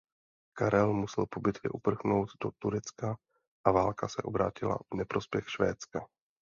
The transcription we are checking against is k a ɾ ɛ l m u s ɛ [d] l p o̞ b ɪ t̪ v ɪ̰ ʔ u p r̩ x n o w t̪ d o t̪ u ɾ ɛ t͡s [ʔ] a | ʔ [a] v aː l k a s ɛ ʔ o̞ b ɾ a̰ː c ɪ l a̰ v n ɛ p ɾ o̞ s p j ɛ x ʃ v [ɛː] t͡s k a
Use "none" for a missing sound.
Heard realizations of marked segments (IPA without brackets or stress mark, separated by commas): none, k, a, ɛː